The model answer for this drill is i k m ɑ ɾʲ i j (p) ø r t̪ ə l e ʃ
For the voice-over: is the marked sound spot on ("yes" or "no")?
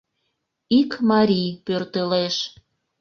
yes